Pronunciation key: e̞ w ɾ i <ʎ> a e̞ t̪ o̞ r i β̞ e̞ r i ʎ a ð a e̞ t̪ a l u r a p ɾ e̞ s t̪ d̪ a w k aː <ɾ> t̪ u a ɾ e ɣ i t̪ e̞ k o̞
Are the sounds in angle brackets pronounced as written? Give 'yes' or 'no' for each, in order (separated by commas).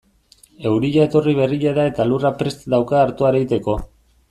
yes, yes